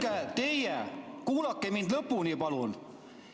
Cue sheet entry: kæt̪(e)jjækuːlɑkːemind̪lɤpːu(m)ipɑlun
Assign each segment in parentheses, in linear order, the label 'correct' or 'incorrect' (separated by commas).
correct, incorrect